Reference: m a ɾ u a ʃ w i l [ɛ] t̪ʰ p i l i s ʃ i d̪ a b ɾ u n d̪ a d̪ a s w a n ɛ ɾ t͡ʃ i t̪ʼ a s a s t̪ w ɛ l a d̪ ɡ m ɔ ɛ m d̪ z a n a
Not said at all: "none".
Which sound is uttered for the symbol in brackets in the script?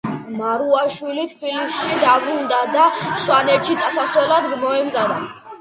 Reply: i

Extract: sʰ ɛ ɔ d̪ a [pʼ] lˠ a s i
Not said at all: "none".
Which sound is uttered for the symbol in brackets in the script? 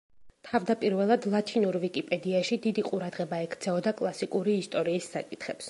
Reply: kʼ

